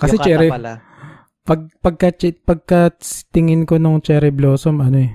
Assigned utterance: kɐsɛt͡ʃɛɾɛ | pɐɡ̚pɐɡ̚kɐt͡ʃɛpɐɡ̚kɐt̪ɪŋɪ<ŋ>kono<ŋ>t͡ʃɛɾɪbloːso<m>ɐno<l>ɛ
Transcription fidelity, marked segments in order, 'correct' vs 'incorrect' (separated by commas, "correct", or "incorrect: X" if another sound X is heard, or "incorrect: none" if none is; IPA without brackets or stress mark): incorrect: n, correct, correct, incorrect: none